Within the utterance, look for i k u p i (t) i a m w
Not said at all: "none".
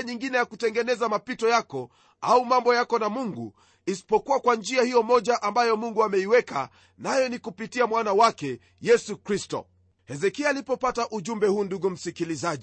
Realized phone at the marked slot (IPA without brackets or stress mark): t